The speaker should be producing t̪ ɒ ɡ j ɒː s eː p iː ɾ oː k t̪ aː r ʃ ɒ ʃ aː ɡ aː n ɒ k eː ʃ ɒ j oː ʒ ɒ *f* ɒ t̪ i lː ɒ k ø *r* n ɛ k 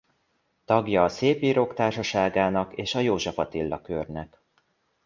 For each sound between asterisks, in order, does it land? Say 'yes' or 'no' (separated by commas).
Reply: yes, yes